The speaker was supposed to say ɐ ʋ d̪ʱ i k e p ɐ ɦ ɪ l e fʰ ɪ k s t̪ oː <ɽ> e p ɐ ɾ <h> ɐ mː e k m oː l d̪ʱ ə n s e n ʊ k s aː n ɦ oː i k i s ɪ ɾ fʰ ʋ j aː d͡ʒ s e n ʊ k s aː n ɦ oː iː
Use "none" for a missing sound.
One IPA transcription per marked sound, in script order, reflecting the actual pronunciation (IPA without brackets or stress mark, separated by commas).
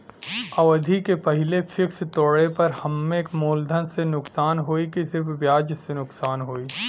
ɽ, h